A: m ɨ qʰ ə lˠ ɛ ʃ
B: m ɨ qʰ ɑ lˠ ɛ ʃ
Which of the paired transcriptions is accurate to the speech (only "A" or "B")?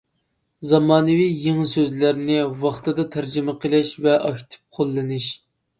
A